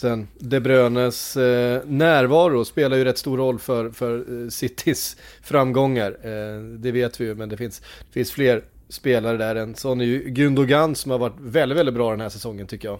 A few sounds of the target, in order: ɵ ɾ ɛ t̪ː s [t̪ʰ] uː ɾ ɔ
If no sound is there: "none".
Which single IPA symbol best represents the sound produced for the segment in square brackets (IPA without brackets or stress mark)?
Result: t̪